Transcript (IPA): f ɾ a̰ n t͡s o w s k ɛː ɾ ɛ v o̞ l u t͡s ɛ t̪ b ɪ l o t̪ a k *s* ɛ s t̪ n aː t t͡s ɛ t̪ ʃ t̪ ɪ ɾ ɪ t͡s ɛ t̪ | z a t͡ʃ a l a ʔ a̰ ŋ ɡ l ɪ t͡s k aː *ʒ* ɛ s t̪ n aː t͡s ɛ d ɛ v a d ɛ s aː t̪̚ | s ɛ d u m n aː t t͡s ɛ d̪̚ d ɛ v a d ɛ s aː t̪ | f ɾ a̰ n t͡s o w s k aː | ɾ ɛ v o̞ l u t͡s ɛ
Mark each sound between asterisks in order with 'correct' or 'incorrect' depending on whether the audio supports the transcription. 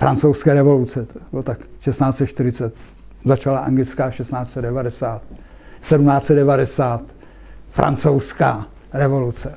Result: incorrect: ʃ, incorrect: ʃ

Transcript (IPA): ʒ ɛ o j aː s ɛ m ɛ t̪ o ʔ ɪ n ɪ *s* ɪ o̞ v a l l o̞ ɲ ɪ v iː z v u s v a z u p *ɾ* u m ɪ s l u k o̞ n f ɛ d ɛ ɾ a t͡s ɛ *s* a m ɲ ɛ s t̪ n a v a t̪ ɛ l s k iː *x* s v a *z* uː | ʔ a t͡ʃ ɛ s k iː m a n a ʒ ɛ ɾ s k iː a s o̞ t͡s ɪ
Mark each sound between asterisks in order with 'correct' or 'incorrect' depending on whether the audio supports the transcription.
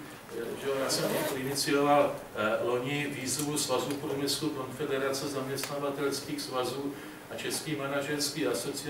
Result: incorrect: t͡s, correct, incorrect: z, correct, correct

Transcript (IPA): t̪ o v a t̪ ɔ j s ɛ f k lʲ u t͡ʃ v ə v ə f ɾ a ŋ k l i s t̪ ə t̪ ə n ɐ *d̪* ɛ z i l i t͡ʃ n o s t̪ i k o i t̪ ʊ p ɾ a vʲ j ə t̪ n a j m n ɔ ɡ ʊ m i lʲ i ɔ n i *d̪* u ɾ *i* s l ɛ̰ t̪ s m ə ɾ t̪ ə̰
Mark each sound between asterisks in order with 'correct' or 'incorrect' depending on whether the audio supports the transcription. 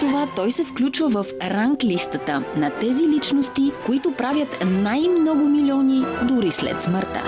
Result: incorrect: t̪, correct, correct

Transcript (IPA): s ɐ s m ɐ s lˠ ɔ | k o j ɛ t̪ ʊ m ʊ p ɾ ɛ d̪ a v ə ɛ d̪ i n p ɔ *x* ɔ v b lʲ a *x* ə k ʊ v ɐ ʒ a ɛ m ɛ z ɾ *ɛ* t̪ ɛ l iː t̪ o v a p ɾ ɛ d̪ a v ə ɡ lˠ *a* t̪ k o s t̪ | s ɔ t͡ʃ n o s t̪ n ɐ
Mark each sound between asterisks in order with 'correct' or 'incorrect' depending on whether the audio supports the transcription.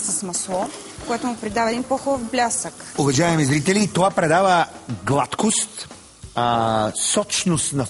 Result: correct, incorrect: s, incorrect: i, correct

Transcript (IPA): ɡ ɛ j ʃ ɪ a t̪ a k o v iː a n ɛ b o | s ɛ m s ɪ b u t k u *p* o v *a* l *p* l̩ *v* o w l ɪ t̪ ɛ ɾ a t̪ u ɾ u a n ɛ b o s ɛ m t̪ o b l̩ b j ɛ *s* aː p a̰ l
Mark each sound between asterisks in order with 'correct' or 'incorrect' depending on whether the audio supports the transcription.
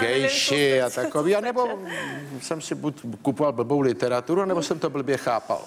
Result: correct, correct, incorrect: b, incorrect: b, incorrect: x

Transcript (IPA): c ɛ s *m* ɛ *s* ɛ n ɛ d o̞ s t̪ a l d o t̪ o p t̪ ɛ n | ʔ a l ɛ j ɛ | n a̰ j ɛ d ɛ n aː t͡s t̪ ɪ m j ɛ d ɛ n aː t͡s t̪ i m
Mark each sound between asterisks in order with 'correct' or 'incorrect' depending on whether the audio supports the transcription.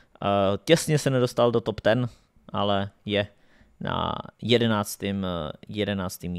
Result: incorrect: ɲ, correct

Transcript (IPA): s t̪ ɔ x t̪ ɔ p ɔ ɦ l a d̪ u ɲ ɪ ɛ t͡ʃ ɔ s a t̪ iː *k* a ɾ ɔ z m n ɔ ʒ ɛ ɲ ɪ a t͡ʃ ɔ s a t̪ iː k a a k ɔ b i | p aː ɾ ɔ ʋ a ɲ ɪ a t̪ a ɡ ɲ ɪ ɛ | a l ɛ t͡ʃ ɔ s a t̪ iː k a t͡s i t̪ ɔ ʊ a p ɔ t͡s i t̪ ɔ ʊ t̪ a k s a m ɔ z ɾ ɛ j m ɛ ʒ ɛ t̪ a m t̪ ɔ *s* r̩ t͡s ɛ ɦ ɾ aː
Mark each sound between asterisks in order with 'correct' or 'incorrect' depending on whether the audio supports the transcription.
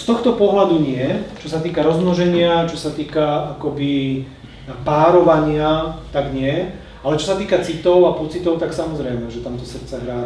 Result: correct, correct

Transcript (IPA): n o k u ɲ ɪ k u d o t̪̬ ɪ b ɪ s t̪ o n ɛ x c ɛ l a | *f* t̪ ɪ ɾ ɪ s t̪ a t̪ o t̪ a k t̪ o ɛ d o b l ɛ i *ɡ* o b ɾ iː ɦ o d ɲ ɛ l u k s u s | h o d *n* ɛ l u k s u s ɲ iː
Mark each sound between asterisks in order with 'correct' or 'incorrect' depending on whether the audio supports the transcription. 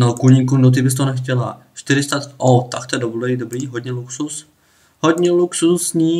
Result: incorrect: ʃ, incorrect: d, incorrect: ɲ

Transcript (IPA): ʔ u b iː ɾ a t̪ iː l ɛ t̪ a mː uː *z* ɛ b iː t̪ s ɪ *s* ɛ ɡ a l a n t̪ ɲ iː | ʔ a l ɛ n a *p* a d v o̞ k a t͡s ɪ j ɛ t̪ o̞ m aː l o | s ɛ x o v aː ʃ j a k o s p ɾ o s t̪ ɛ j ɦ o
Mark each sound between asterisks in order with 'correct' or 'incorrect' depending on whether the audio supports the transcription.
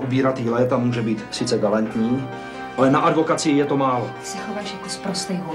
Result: incorrect: ʒ, incorrect: t͡s, incorrect: ʔ

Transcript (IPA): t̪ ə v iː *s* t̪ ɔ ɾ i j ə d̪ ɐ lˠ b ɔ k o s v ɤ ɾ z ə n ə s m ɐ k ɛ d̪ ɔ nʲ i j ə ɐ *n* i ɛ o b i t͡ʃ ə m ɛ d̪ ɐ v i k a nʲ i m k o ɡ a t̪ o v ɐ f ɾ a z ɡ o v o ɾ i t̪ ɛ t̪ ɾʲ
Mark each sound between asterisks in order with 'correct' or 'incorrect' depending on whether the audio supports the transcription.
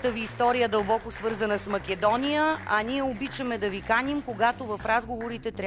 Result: correct, correct

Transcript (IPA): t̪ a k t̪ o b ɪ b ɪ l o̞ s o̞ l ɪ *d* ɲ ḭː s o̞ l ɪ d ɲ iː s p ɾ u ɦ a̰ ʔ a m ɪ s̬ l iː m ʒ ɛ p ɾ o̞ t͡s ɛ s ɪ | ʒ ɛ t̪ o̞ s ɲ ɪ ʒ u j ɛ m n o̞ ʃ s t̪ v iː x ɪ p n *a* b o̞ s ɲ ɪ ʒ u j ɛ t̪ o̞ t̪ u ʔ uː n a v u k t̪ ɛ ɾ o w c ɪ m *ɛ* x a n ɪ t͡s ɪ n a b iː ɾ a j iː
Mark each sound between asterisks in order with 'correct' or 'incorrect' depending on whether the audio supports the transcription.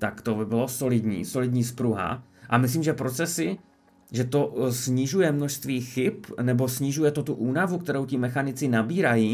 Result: correct, incorrect: ɛ, correct

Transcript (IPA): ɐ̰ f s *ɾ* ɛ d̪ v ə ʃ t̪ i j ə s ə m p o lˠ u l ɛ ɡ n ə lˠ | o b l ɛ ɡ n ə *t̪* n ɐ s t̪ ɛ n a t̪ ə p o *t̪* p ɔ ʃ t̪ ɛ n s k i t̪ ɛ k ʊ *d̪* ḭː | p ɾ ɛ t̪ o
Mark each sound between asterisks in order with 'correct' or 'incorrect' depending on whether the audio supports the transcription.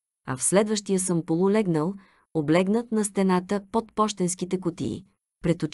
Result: incorrect: l, correct, correct, incorrect: t̪

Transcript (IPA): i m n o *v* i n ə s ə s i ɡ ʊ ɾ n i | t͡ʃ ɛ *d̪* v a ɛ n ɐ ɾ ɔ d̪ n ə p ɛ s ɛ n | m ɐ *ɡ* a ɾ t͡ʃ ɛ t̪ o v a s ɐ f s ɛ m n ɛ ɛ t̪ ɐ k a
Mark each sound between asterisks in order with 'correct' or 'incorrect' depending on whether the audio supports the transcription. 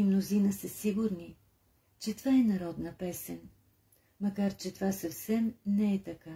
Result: incorrect: z, incorrect: t̪, incorrect: k

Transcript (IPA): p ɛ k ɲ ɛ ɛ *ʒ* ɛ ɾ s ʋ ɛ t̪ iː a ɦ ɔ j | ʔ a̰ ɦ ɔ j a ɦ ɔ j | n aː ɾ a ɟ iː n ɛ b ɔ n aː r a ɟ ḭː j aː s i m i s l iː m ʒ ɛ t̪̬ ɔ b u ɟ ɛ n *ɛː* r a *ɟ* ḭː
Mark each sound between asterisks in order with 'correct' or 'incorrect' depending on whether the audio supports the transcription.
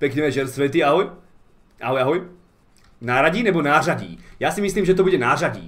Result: correct, incorrect: aː, correct

